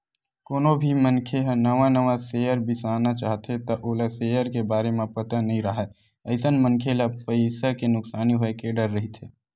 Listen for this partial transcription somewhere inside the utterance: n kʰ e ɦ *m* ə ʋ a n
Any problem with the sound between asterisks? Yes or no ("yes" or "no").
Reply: yes